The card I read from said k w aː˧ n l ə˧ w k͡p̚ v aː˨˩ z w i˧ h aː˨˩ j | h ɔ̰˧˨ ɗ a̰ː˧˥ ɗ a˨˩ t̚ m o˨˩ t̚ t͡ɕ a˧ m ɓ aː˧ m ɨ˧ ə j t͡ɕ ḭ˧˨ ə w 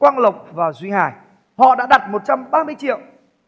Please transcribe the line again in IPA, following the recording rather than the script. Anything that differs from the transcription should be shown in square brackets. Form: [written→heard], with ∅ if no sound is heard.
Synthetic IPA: k w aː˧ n l [ə˧→ə˨˩] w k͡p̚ v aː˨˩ z w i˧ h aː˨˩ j | h ɔ̰˧˨ ɗ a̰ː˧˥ ɗ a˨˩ t̚ m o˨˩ t̚ t͡ɕ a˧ m ɓ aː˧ m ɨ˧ ə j t͡ɕ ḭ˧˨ ə w